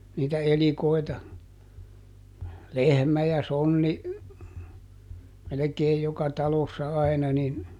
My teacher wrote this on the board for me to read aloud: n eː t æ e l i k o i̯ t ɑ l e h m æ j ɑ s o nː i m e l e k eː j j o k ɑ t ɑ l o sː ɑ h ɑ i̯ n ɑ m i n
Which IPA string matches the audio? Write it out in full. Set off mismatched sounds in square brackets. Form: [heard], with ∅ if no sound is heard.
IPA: n [iː] t æ e l i k o i̯ t ɑ l e h m æ j ɑ s o nː i m e l e k eː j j o k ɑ t ɑ l o sː ɑ [∅] ɑ i̯ n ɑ [n] i n